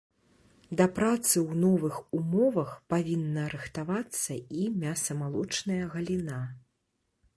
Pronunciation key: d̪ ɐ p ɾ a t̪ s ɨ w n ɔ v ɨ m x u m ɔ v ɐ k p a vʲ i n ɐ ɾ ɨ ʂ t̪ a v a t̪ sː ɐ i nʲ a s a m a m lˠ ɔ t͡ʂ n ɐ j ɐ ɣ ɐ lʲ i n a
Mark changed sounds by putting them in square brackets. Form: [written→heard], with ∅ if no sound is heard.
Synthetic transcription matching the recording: d̪ ɐ p ɾ a t̪ s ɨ w n ɔ v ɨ [m→∅] x u m ɔ v ɐ [k→x] p a vʲ i [n→nː] ɐ ɾ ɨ [ʂ→x] t̪ a v a t̪ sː ɐ i [nʲ→mʲ] a s [a→ɐ] m a [m→∅] lˠ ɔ t͡ʂ n ɐ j ɐ ɣ ɐ lʲ i n a

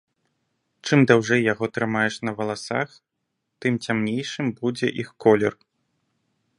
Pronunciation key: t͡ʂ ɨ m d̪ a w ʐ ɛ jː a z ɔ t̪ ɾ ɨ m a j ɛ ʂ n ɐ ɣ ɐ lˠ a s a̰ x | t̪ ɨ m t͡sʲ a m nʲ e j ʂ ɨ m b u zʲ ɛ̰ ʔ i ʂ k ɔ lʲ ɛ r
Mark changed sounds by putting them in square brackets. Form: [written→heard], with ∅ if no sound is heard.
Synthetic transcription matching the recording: t͡ʂ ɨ m d̪ a w ʐ ɛ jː a [z→ɣ] ɔ t̪ ɾ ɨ m a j ɛ ʂ n ɐ [ɣ→v] ɐ lˠ a s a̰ x | t̪ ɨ m t͡sʲ a m nʲ e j ʂ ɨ m b u [zʲ→d͡zʲ] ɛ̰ ʔ i [ʂ→x] k ɔ lʲ ɛ r

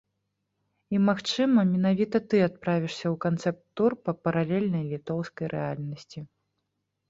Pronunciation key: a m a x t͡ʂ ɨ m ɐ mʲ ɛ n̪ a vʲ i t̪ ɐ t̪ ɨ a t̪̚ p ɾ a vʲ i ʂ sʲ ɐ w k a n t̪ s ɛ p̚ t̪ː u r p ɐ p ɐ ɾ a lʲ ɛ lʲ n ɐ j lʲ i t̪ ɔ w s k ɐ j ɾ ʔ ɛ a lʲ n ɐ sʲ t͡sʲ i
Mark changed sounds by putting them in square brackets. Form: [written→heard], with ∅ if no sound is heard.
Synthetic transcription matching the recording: [a→i] m a x t͡ʂ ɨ m ɐ mʲ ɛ n̪ a vʲ i t̪ ɐ t̪ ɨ a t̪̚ p ɾ a vʲ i ʂ sʲ ɐ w k a n t̪ s ɛ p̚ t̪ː u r p ɐ p ɐ ɾ a lʲ ɛ lʲ n ɐ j lʲ i t̪ ɔ w s k ɐ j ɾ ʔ ɛ a lʲ n ɐ sʲ t͡sʲ i

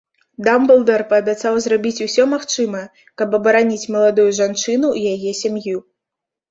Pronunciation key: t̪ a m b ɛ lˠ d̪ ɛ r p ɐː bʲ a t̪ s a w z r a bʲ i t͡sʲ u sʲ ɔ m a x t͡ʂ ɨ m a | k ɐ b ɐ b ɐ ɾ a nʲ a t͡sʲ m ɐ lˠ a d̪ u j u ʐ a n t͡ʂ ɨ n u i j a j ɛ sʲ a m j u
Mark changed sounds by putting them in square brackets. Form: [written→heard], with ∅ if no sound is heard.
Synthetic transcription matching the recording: [t̪→d̪] a m b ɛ lˠ d̪ ɛ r p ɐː bʲ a t̪ s a w z r a bʲ i t͡sʲ u sʲ ɔ m a x t͡ʂ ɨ m [a→ɐ] | k ɐ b ɐ b ɐ ɾ a nʲ [a→i] t͡sʲ m ɐ lˠ a d̪ u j u ʐ a n t͡ʂ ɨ n u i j a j ɛ sʲ a m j u

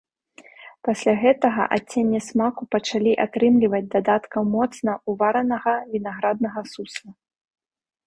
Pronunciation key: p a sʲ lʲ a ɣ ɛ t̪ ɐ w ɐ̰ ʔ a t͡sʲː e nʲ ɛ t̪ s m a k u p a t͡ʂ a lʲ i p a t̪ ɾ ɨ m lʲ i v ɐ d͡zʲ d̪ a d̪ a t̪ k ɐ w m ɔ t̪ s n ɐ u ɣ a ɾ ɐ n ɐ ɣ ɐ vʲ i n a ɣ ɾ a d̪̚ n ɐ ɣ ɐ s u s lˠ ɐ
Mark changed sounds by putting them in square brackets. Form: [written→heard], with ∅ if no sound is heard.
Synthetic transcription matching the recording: p a sʲ lʲ a ɣ ɛ t̪ ɐ [w→ɣ] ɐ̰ ʔ a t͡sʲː e [nʲ→nʲː] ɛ [t̪→∅] s m a k u p [a→ɐ] t͡ʂ a lʲ i [p→ʔ] a t̪ ɾ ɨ m lʲ i v ɐ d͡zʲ d̪ a d̪ a t̪ k ɐ w m ɔ t̪ s n ɐ u [ɣ→v] a ɾ ɐ n ɐ ɣ ɐ vʲ i n a ɣ ɾ a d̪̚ n ɐ ɣ ɐ s u s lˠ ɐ

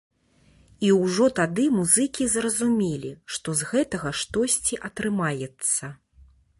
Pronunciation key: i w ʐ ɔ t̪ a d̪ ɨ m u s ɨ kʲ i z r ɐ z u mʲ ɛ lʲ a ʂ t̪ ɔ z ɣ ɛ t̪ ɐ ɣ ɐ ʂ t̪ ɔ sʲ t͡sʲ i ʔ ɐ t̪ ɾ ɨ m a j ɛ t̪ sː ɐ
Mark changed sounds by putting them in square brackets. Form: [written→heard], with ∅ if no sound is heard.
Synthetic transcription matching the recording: i w ʐ ɔ t̪ a d̪ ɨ m u [s→z] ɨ kʲ i z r ɐ z u mʲ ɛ lʲ [a→i] ʂ t̪ ɔ z ɣ ɛ t̪ ɐ ɣ ɐ ʂ t̪ ɔ sʲ t͡sʲ i ʔ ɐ t̪ ɾ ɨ m a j ɛ t̪ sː ɐ

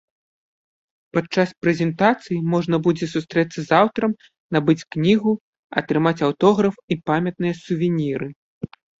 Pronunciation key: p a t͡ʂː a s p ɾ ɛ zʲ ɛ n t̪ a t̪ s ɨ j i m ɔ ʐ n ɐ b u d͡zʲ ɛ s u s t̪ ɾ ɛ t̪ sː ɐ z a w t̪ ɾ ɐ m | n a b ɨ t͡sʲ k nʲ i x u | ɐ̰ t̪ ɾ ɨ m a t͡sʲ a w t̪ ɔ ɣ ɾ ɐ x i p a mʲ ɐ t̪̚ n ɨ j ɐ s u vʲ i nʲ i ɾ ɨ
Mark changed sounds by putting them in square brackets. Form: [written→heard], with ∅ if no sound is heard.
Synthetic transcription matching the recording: p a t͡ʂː a s p ɾ ɛ zʲ ɛ n t̪ a t̪ s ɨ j i m ɔ ʐ n ɐ b u d͡zʲ ɛ s u s t̪ ɾ ɛ t̪ sː ɐ z a w t̪ ɾ ɐ m | n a b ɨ t͡sʲ k nʲ i [x→ɣ] u | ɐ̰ t̪ ɾ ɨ m a t͡sʲ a w t̪ ɔ ɣ ɾ ɐ [x→f] i p a mʲ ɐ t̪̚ n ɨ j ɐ s u vʲ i nʲ i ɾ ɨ

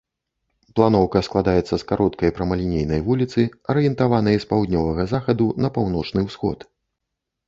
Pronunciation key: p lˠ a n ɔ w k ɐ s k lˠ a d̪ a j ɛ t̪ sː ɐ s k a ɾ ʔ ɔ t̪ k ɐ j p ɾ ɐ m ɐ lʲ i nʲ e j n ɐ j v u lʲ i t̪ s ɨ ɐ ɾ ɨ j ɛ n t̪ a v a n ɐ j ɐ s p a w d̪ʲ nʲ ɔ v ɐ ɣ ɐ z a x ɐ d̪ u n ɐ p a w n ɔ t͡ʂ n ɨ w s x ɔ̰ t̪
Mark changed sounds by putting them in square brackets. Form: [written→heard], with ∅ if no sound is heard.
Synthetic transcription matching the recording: p lˠ a n ɔ w k ɐ s k lˠ a d̪ a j ɛ t̪ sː ɐ s k a ɾ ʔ ɔ t̪ k ɐ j p ɾ ɐ m ɐ lʲ i nʲ e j n ɐ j v u lʲ i t̪ s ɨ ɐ ɾ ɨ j ɛ n t̪ a v a n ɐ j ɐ s p a w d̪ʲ nʲ ɔ v ɐ ɣ ɐ z a x ɐ d̪ u n ɐ p a w n ɔ t͡ʂ n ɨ w s x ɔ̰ t̪

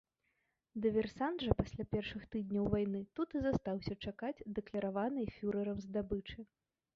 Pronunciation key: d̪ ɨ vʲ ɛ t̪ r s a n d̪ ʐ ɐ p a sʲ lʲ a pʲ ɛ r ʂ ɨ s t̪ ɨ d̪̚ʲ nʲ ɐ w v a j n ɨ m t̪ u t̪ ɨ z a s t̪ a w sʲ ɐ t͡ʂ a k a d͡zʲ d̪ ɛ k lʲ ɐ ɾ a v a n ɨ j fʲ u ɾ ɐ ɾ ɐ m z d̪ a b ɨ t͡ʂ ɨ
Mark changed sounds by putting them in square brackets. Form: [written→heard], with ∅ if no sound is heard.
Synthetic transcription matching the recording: d̪ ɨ vʲ ɛ [t̪→∅] r s a n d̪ ʐ ɐ p a sʲ lʲ a pʲ ɛ r ʂ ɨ [s→x] t̪ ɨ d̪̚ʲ nʲ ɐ w v a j n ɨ [m→∅] t̪ u t̪ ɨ z a s t̪ a w sʲ ɐ t͡ʂ a k a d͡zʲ d̪ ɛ k lʲ ɐ ɾ a v a n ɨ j fʲ u ɾ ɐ ɾ ɐ m z d̪ a b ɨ t͡ʂ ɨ

